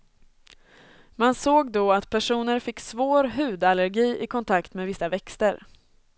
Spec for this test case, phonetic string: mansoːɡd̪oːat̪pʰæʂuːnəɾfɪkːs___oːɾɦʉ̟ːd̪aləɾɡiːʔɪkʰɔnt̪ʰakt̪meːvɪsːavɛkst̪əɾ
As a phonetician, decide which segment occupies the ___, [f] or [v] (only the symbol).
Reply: v